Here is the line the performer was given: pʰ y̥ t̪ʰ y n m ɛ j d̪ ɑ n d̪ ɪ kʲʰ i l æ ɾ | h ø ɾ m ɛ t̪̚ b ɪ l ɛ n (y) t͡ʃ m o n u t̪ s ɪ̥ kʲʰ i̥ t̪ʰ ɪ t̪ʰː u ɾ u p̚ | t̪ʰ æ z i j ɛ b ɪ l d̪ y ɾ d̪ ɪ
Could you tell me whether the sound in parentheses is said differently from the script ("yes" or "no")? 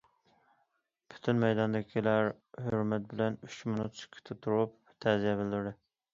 no